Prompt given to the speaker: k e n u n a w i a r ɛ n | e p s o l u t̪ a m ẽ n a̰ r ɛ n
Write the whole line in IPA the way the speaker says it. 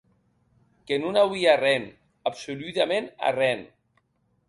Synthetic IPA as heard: k e n u n a w i a r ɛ n | a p s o l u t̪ a m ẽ n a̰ r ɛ n